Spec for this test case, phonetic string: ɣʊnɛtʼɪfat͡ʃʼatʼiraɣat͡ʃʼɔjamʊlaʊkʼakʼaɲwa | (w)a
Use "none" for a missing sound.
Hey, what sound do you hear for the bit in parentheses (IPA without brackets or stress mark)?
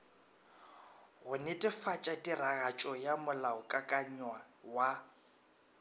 w